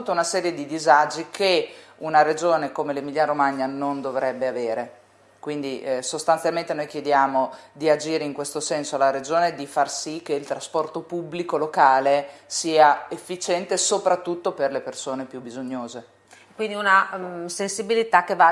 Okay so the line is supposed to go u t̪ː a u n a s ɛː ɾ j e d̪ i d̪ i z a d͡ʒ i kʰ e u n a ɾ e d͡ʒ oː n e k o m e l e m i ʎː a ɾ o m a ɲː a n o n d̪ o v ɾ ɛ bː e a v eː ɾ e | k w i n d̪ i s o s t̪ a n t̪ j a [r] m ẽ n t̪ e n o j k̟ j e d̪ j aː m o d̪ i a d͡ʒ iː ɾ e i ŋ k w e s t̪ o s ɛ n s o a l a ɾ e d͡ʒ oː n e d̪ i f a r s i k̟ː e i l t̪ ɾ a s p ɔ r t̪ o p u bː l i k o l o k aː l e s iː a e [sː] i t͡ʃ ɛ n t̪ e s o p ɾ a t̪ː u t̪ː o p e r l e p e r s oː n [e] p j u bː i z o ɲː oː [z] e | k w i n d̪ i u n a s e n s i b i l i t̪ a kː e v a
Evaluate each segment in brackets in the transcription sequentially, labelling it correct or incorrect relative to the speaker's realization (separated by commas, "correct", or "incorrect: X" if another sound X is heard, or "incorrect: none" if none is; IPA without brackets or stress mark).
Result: incorrect: l, incorrect: fː, correct, correct